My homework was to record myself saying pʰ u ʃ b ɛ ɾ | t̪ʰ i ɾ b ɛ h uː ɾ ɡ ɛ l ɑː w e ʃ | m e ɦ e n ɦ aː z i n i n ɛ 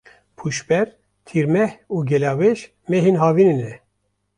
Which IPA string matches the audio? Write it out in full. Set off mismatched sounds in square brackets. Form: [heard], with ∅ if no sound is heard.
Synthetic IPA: pʰ u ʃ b ɛ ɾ | t̪ʰ i ɾ [m] ɛ h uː [∅] ɡ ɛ l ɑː w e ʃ | m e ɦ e n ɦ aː [v] i n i n ɛ